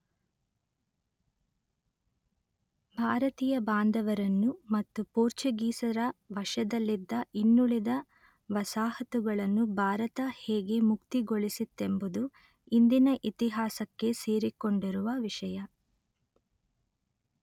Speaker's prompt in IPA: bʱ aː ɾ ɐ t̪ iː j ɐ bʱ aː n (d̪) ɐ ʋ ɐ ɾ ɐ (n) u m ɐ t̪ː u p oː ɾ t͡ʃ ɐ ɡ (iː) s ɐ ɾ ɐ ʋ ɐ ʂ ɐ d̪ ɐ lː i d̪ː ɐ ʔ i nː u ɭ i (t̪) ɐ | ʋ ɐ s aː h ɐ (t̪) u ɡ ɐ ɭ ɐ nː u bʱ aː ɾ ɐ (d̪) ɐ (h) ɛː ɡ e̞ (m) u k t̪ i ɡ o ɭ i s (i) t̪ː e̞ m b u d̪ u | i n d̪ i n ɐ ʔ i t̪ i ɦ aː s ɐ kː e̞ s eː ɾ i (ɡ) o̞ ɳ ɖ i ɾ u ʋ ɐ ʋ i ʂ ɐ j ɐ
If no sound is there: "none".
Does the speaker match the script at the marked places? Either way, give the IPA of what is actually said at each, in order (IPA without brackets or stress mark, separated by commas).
d̪, nː, iː, d̪, t̪, t̪, h, m, i, k